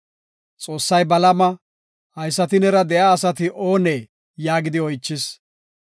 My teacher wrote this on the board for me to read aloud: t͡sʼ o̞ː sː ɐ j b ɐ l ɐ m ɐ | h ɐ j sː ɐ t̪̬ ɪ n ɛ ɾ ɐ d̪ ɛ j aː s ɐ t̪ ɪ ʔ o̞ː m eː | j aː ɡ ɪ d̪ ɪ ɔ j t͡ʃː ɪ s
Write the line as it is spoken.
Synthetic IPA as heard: t͡sʼ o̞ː sː ɐ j b ɐ l ɐ m ɐ | h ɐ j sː ɐ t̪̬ ɪ n ɛ ɾ ɐ d̪ ɛ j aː s ɐ t̪ ɪ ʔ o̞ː n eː | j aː ɡ ɪ d̪ ɪ ɔ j t͡ʃː ɪ s